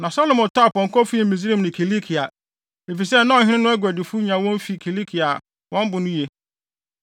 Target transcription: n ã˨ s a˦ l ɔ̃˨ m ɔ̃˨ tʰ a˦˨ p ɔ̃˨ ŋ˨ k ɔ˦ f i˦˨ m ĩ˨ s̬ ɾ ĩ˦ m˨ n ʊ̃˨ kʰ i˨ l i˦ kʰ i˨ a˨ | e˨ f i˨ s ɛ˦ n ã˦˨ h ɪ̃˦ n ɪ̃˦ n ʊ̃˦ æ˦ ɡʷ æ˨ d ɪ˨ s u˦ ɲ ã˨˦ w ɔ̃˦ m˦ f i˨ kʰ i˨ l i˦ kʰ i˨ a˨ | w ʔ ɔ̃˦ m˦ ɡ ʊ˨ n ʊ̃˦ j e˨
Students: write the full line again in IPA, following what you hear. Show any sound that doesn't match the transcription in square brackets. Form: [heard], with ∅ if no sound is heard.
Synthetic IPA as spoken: n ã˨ s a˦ l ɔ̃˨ m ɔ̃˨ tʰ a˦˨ p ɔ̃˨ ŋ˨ k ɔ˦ f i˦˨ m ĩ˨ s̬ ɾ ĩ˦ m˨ n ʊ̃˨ kʰ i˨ l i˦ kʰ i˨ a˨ | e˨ f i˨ s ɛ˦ n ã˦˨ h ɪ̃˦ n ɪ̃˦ n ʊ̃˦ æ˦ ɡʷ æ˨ d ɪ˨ [f] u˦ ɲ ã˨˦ w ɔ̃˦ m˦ f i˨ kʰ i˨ l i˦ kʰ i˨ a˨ | w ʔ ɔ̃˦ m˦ [b] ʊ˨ n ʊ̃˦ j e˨